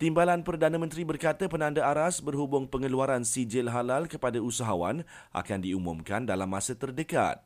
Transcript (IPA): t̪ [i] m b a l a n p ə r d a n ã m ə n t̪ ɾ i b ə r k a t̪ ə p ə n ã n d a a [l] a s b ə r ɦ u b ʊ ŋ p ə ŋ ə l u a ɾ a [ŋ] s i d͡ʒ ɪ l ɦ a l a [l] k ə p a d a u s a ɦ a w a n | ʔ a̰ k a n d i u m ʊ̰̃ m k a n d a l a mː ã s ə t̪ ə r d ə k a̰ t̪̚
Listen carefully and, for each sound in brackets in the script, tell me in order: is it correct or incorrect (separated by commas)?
correct, incorrect, incorrect, correct